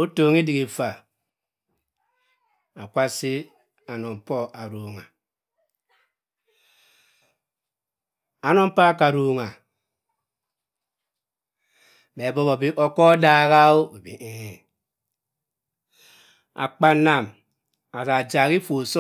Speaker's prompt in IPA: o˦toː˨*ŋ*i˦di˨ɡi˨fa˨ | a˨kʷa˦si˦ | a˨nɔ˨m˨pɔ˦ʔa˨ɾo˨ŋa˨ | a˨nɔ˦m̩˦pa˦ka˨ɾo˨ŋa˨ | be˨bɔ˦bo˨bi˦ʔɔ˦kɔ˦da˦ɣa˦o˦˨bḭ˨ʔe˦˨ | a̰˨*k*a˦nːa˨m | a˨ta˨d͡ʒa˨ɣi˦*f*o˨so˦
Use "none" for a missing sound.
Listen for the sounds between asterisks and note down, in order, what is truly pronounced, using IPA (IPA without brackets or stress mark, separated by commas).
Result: ŋ, k͡p, f